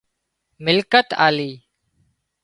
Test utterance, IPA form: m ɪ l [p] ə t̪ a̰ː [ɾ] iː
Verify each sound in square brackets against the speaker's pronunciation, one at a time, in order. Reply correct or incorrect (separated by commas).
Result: incorrect, incorrect